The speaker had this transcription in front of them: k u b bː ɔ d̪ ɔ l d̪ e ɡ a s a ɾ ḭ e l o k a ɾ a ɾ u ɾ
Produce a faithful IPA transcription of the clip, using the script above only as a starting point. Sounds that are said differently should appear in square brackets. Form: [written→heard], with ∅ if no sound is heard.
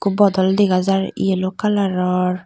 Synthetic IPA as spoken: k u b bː ɔ d̪ ɔ l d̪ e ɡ a [s→z] a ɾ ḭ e l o k a [ɾ→l] a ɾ [u→ɔ] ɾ